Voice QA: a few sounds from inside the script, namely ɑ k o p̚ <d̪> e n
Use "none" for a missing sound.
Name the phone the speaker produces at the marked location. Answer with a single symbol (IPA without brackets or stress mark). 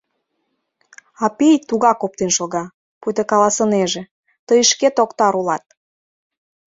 t̪